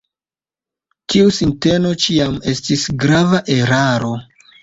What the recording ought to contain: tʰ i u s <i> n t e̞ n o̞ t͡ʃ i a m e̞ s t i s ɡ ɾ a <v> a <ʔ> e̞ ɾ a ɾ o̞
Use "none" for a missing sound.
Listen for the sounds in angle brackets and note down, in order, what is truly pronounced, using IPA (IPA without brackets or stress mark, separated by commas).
i, v, ʔ